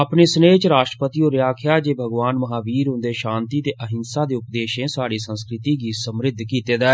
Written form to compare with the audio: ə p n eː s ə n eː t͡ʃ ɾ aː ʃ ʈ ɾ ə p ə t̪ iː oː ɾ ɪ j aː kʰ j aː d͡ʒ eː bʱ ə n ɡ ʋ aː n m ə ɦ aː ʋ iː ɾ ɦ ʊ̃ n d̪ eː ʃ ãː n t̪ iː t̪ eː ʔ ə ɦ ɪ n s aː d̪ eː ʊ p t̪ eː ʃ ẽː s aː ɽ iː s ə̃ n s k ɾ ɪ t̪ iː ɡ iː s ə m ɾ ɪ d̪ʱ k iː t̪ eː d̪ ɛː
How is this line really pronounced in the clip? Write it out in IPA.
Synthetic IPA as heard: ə p n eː s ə n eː t͡ʃ ɾ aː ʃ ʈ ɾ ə p ə t̪ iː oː ɾ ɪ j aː kʰ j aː d͡ʒ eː bʱ ə ɡ ʋ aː n m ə ɦ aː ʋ iː ɾ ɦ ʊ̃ n d̪ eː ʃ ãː n t̪ iː t̪ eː ʔ ə ɦ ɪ n s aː d̪ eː ʊ p d̪ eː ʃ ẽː s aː ɽ iː s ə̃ n s k ɾ ɪ t̪ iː ɡ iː s ə m ɾ ɪ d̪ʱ k iː t̪ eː d̪ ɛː